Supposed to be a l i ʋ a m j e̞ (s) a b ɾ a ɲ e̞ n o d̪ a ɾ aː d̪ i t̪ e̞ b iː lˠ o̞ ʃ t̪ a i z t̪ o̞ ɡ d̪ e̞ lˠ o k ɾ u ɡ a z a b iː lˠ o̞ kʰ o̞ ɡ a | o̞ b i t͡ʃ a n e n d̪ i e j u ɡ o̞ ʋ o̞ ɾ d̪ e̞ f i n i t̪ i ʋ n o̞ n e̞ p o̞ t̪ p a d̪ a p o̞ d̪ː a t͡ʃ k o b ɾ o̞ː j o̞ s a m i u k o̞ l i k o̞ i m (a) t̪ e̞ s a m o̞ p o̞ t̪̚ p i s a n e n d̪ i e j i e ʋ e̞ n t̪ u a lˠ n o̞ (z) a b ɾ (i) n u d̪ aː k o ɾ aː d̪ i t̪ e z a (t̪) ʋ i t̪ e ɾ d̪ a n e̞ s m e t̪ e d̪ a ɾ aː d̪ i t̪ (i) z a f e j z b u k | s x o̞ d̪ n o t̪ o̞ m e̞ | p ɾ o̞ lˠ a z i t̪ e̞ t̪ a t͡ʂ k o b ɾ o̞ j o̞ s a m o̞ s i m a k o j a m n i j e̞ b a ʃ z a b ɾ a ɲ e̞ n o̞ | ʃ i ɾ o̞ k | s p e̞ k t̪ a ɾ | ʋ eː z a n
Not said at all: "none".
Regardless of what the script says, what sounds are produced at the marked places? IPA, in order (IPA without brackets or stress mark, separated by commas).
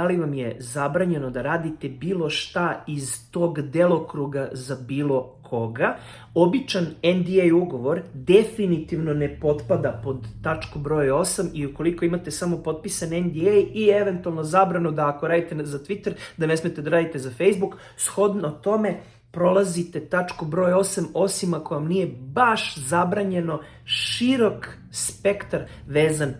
z, a, z, a, t̪, e